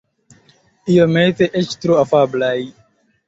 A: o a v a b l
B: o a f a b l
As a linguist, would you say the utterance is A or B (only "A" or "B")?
B